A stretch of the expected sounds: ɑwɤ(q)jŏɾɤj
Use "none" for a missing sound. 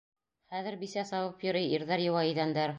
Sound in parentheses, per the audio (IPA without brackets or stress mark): p